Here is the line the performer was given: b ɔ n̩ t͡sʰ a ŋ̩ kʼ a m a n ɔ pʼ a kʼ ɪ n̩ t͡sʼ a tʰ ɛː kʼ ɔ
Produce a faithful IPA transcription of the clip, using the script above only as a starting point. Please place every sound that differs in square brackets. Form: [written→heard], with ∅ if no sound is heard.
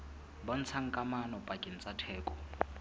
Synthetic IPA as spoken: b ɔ n̩ t͡sʰ a ŋ̩ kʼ a m a n ɔ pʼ a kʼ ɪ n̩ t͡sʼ a tʰ ɛː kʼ ɔ